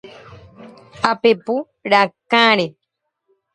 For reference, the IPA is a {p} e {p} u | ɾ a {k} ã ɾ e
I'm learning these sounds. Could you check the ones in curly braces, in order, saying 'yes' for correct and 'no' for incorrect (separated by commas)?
yes, yes, yes